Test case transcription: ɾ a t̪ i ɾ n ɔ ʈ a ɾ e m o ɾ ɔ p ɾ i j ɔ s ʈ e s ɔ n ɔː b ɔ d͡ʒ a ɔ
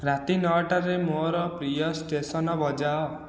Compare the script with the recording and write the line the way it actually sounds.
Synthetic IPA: ɾ a t̪ i n ɔ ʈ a ɾ e m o ɾ ɔ p ɾ i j ɔ s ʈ e s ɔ n ɔ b ɔ d͡ʒ a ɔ